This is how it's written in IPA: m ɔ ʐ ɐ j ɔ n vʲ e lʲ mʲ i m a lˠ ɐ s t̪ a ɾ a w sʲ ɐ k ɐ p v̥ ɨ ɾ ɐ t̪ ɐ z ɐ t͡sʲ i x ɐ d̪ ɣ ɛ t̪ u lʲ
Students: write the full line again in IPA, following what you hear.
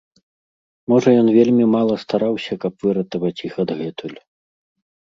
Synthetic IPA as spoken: m ɔ ʐ ɐ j ɔ n vʲ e lʲ mʲ i m a lˠ ɐ s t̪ a ɾ a w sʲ ɐ k ɐ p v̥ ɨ ɾ ɐ t̪ ɐ v ɐ t͡sʲ i x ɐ d̪ ɣ ɛ t̪ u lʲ